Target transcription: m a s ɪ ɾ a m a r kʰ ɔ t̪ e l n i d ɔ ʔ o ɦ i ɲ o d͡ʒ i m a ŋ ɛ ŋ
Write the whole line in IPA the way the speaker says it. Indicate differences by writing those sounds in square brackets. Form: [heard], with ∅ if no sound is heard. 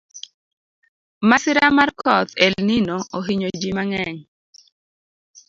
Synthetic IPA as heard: m a s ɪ ɾ a m a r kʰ ɔ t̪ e l n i [n] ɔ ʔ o ɦ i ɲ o d͡ʒ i m a ŋ ɛ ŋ